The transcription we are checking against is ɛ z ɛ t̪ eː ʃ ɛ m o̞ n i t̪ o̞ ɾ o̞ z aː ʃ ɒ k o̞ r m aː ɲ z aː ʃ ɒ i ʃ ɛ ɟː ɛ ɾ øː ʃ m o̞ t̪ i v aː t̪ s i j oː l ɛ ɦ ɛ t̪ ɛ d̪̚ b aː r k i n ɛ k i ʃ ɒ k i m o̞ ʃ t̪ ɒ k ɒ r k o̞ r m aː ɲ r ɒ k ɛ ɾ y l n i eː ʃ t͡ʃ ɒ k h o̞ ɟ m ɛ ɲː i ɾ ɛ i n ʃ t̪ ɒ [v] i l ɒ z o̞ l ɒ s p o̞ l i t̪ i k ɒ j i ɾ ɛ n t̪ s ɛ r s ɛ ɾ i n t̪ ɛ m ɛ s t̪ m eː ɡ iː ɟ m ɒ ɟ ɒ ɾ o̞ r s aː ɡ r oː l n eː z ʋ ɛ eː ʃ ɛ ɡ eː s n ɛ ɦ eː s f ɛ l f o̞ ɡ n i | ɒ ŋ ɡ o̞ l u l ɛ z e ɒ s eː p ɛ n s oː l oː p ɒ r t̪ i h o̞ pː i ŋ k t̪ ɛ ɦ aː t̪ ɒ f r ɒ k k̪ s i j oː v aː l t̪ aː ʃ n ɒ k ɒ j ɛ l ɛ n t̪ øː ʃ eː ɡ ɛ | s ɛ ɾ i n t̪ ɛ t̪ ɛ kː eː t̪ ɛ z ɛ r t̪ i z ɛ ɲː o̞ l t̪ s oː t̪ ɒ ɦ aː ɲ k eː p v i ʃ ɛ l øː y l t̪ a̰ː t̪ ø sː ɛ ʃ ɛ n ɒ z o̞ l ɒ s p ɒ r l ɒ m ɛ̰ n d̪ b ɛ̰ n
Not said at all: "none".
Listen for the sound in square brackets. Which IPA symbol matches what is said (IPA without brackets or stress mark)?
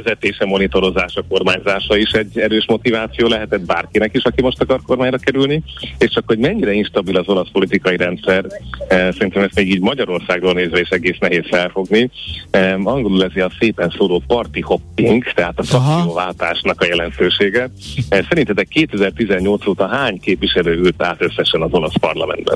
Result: b